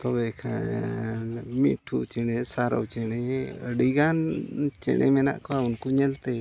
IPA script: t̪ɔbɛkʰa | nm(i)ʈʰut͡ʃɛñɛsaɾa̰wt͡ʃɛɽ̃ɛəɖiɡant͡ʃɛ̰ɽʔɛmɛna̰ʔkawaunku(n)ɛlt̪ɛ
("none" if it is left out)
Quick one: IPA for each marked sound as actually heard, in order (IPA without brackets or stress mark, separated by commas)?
i, ɲ